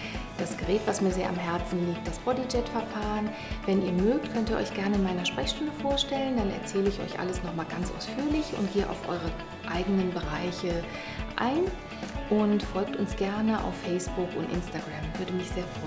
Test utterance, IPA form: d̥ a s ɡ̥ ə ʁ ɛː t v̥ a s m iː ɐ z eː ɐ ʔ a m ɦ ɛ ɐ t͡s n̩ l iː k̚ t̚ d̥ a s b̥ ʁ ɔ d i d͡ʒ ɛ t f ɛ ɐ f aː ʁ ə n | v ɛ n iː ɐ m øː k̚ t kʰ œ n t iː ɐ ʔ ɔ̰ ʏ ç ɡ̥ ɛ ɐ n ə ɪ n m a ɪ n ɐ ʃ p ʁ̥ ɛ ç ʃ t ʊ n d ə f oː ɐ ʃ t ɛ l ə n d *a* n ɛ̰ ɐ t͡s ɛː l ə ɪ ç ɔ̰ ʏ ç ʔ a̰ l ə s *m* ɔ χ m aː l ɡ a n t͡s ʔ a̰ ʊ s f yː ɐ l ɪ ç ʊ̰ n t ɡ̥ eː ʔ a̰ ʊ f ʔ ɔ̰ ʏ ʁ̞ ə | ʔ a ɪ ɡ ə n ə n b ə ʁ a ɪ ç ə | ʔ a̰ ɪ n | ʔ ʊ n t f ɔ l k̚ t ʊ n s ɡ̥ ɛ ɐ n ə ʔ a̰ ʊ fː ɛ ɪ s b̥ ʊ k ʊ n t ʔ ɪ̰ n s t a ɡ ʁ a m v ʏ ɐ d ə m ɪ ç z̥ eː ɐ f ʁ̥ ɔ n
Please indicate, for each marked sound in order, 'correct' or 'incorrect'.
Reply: correct, incorrect: n

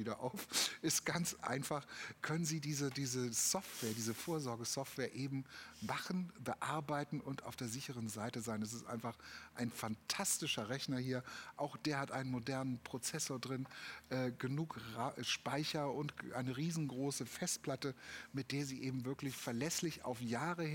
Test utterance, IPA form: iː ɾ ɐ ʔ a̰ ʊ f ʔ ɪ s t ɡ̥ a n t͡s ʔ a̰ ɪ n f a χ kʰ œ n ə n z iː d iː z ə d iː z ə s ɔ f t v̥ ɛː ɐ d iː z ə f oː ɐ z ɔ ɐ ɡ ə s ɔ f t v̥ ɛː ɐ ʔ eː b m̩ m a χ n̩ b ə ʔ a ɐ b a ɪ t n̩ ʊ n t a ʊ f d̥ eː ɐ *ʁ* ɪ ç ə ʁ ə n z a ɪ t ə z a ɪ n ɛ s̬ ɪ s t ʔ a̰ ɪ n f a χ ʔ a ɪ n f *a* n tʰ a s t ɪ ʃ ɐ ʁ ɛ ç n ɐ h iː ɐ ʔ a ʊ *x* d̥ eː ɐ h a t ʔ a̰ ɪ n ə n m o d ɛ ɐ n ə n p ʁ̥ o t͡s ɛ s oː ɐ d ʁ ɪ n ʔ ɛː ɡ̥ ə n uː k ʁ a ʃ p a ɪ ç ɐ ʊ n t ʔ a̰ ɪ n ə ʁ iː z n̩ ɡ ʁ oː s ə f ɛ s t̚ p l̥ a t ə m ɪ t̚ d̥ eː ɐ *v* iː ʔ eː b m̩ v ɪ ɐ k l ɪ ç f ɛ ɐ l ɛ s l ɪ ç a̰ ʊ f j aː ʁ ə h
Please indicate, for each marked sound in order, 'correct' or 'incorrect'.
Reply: incorrect: z, correct, correct, incorrect: z

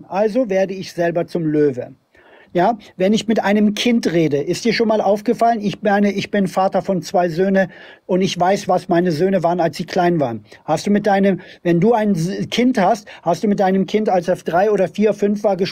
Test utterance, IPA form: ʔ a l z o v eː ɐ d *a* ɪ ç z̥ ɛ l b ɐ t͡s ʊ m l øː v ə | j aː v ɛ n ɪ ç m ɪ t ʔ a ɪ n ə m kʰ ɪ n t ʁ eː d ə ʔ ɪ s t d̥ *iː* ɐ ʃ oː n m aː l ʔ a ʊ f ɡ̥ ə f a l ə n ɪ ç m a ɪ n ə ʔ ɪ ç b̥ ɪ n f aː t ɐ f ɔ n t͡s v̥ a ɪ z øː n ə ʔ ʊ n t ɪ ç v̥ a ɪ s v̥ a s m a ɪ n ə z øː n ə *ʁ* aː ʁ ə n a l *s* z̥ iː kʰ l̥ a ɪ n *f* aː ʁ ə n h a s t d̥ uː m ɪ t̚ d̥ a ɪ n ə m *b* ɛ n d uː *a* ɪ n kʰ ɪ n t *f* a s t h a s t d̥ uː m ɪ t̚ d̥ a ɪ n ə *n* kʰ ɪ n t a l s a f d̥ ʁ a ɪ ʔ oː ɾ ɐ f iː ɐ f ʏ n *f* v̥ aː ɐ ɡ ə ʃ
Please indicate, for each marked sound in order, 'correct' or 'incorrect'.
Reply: incorrect: ə, correct, incorrect: v, correct, incorrect: v, incorrect: v, correct, incorrect: h, incorrect: m, correct

